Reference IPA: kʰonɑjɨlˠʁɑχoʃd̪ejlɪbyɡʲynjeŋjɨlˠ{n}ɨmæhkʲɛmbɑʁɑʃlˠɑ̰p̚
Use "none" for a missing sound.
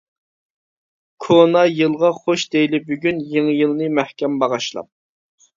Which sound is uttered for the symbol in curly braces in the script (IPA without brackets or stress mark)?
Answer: n